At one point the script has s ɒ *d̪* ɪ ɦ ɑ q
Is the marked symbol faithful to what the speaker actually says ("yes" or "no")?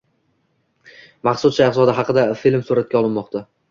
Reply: yes